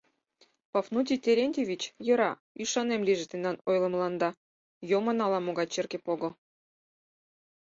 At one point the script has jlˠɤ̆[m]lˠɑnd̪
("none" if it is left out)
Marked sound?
m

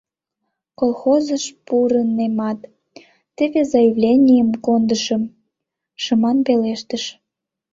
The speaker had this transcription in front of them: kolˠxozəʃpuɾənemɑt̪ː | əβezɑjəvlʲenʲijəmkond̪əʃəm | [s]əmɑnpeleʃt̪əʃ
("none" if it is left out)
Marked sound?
ʃ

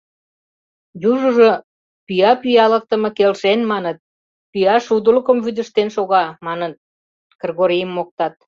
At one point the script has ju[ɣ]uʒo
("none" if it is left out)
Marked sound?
ʒ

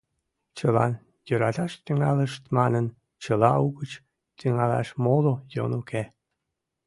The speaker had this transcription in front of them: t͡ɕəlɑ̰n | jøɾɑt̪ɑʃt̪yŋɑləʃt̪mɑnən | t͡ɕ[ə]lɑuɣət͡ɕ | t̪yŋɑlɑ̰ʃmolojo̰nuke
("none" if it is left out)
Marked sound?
ə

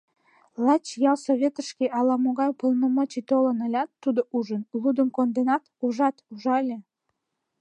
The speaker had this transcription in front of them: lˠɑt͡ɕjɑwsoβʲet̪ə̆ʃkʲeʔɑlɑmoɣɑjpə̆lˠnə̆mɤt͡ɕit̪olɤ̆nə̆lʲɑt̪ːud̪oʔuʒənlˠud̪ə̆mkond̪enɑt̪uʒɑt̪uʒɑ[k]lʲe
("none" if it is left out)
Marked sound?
none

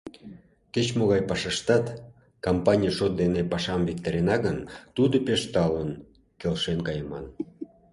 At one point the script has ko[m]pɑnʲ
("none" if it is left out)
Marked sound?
m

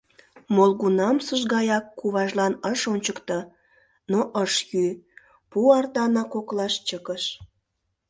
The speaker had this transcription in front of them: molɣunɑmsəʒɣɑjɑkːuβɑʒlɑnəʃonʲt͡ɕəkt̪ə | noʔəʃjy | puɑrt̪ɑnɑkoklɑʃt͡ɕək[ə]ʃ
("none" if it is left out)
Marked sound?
ə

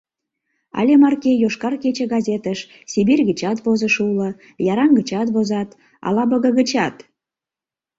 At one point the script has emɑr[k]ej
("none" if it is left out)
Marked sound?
k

